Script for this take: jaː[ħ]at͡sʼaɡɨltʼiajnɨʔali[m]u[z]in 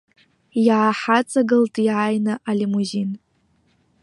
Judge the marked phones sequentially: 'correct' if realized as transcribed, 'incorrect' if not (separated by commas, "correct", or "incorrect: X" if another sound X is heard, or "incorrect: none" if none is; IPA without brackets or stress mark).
correct, correct, correct